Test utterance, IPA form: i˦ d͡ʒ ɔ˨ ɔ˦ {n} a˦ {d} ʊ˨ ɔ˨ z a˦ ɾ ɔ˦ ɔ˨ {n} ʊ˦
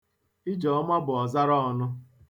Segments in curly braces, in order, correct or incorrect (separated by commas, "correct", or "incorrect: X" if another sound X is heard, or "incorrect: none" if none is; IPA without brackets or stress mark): incorrect: m, incorrect: b, correct